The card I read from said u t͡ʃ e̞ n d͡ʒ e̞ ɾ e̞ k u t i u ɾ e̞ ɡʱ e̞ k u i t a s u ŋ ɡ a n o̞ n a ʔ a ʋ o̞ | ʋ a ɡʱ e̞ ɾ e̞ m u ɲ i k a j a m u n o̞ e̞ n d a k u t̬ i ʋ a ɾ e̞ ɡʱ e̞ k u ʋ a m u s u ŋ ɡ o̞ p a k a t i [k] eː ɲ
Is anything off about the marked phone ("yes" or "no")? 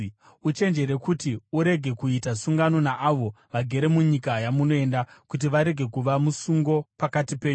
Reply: yes